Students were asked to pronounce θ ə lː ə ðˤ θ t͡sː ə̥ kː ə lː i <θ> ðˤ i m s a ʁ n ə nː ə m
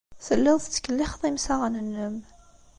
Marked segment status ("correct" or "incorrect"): incorrect